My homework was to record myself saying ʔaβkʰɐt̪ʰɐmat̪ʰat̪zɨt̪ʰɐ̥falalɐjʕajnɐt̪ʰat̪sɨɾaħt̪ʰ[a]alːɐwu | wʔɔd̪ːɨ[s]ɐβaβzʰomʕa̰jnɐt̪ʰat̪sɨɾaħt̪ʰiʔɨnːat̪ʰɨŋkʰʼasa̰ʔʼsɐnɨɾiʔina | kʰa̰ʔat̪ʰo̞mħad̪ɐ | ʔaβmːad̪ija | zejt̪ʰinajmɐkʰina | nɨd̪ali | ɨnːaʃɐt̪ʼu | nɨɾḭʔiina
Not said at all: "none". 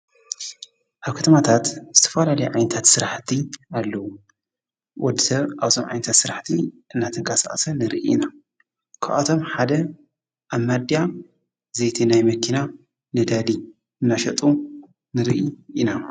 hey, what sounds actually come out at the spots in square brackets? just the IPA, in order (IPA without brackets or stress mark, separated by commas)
i, s